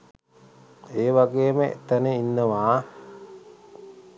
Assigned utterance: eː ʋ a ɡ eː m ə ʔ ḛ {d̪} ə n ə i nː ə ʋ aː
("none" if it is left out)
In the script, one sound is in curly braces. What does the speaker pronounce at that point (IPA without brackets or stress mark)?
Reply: t̪